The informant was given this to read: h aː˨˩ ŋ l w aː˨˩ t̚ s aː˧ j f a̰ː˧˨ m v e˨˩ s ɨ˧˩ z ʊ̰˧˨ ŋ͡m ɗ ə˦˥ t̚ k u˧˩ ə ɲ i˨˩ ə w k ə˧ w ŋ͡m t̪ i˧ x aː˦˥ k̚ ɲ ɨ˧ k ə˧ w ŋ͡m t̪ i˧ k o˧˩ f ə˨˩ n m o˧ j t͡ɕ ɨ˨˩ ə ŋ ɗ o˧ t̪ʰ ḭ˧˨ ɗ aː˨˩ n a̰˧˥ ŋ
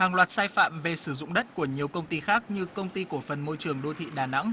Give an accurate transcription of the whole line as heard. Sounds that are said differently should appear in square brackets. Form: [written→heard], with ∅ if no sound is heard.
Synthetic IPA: h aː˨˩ ŋ l w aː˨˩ t̚ s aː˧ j f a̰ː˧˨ m v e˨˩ s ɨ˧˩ z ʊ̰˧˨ ŋ͡m ɗ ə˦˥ t̚ k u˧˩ ə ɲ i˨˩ ə w k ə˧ w ŋ͡m t̪ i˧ x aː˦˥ k̚ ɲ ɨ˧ k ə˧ w ŋ͡m t̪ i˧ k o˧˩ f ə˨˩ n m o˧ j t͡ɕ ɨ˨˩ ə ŋ ɗ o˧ t̪ʰ ḭ˧˨ ɗ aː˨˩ n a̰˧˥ ŋ

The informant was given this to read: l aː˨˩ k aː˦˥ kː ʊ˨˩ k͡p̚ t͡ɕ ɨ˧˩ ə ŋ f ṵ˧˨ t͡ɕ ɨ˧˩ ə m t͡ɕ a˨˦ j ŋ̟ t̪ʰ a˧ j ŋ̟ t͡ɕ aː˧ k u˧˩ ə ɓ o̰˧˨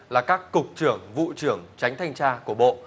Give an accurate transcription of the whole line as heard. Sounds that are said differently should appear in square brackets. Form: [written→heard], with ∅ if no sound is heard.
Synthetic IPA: l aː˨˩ k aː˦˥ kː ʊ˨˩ k͡p̚ t͡ɕ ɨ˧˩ ə ŋ [f→v] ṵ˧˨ t͡ɕ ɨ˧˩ ə [m→ŋ] t͡ɕ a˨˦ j ŋ̟ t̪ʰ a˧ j ŋ̟ t͡ɕ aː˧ k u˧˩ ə ɓ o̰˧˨

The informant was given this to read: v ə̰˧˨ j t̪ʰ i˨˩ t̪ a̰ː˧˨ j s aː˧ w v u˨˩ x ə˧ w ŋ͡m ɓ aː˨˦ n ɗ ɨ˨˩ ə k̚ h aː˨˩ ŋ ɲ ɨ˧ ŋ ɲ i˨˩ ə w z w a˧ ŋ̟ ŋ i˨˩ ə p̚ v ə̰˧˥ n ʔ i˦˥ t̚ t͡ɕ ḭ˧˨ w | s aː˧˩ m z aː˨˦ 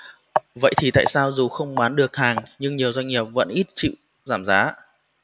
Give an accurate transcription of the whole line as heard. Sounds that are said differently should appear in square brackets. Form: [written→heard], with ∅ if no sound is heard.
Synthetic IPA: v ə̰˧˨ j t̪ʰ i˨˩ t̪ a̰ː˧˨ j s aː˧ w [v→z] u˨˩ x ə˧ w ŋ͡m ɓ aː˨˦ n ɗ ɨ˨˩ ə k̚ h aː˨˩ ŋ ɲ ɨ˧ ŋ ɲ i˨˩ ə w z w a˧ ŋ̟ ŋ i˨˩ ə p̚ v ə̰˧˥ n ʔ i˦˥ t̚ t͡ɕ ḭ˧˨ w | [s→z] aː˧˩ m z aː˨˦

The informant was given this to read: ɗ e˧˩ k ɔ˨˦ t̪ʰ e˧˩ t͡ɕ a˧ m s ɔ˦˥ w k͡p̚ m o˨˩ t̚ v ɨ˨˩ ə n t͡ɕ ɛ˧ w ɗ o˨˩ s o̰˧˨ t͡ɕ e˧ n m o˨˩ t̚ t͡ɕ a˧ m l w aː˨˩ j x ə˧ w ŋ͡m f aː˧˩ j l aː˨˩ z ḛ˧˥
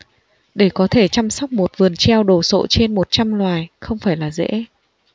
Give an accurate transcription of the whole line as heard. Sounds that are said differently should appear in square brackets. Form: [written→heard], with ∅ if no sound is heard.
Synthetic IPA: ɗ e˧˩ k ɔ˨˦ t̪ʰ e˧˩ t͡ɕ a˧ m s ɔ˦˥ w k͡p̚ m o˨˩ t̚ v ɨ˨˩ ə n t͡ɕ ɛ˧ w ɗ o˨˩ s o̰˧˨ t͡ɕ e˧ n m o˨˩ t̚ t͡ɕ a˧ m l w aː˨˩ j x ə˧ w ŋ͡m f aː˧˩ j l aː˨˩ z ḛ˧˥

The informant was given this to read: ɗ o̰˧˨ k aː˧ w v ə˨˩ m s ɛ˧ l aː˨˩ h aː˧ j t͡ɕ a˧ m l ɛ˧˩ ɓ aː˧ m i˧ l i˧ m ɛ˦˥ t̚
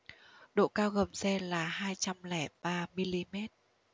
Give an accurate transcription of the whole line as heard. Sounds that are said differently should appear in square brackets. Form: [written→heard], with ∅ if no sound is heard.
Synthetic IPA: ɗ o̰˧˨ k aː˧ w [v→ɣ] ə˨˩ m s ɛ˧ l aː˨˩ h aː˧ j t͡ɕ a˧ m l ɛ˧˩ ɓ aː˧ m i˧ l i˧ m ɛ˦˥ t̚

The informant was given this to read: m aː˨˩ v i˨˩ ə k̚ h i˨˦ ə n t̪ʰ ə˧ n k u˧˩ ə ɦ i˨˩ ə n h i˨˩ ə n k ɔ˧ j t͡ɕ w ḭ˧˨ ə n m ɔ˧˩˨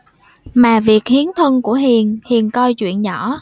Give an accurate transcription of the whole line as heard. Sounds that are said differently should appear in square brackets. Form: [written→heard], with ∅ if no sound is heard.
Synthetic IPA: m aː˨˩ v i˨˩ ə k̚ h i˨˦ ə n t̪ʰ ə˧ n k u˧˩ ə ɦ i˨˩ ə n h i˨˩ ə n k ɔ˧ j t͡ɕ w ḭ˧˨ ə n [m→ɲ] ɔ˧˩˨

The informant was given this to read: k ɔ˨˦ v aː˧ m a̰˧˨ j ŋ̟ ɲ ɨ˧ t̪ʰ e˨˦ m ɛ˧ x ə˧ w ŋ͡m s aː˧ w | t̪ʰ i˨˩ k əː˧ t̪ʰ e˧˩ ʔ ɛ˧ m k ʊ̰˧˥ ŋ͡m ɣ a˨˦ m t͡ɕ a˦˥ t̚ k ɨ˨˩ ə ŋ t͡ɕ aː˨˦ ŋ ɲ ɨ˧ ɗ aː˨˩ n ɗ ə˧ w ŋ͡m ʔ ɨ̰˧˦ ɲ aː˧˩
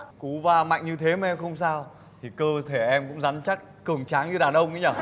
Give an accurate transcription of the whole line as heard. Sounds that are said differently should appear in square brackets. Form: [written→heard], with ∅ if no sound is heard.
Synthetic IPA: k [ɔ˨˦→u˨˦] v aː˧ m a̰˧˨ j ŋ̟ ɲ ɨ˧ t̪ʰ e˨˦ m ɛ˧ x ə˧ w ŋ͡m s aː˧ w | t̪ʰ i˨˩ k əː˧ t̪ʰ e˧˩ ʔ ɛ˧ m k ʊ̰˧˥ ŋ͡m [ɣ→z] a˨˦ [m→n] t͡ɕ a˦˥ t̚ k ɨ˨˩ ə ŋ t͡ɕ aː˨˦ ŋ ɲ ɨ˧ ɗ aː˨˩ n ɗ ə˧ w ŋ͡m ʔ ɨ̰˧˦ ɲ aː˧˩

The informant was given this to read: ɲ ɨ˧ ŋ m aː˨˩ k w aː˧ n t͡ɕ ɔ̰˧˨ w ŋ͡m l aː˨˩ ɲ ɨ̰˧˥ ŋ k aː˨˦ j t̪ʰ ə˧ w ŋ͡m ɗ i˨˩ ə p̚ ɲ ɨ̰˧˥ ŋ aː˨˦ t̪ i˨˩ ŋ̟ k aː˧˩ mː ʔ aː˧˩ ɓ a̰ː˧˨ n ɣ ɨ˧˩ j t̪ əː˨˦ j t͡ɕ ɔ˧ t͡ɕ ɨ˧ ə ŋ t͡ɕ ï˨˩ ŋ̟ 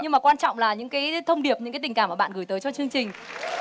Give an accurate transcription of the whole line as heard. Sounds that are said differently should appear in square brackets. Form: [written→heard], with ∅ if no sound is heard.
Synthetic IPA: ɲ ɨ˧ ŋ m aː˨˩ k w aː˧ n t͡ɕ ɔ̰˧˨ w ŋ͡m l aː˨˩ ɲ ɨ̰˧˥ ŋ k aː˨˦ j t̪ʰ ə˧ w ŋ͡m ɗ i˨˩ ə p̚ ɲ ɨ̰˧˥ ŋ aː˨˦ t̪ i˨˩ ŋ̟ k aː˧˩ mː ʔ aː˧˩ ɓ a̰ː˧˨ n ɣ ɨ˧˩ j t̪ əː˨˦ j t͡ɕ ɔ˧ t͡ɕ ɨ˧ ə ŋ t͡ɕ ï˨˩ ŋ̟

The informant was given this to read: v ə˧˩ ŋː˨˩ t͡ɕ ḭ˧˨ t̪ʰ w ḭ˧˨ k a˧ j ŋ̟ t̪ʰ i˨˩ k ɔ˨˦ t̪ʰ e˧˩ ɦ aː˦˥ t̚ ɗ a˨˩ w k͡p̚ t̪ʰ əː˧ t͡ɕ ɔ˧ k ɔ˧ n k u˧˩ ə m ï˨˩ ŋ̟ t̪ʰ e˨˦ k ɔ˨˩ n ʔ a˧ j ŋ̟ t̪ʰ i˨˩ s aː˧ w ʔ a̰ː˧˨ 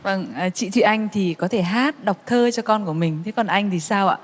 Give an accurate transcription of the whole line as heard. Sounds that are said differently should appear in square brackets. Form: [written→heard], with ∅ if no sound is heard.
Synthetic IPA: v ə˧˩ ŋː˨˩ t͡ɕ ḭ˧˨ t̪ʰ w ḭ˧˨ [k→ʔ] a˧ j ŋ̟ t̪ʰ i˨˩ k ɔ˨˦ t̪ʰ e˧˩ ɦ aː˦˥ t̚ ɗ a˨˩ w k͡p̚ t̪ʰ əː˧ t͡ɕ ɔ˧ k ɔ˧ n k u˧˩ ə m ï˨˩ ŋ̟ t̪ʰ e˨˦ k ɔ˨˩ n ʔ a˧ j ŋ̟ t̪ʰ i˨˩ s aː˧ w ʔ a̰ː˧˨

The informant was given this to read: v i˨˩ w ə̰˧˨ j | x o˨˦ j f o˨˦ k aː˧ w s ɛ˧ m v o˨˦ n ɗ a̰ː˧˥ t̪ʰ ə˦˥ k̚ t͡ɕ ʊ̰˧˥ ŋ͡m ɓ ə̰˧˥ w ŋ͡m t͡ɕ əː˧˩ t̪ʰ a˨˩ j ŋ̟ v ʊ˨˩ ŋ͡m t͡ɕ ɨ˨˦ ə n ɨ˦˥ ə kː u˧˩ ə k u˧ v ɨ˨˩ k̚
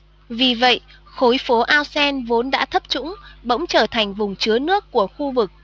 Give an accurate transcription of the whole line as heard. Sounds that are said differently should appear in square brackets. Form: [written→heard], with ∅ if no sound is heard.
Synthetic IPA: v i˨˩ [w→v] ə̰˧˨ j | x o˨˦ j f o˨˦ [k→ʔ] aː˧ w s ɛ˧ [m→n] v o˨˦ n ɗ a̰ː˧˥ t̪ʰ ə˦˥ [k̚→p̚] t͡ɕ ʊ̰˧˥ ŋ͡m ɓ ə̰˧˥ w ŋ͡m t͡ɕ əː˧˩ t̪ʰ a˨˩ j ŋ̟ v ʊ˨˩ ŋ͡m t͡ɕ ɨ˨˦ ə n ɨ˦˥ ə kː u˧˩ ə [k→x] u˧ v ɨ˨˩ k̚

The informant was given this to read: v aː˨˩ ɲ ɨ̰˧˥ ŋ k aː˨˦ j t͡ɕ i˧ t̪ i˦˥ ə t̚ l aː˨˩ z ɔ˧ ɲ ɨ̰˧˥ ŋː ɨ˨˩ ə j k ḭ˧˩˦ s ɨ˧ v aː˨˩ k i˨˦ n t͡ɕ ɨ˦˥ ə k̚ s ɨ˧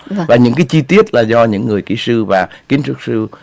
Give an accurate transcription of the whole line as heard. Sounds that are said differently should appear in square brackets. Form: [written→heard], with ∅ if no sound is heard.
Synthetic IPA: v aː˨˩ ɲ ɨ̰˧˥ ŋ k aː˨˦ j t͡ɕ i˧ t̪ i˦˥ ə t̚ l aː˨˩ z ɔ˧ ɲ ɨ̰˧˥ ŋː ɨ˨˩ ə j k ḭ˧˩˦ s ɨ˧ v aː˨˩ k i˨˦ n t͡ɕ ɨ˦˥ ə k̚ s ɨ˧

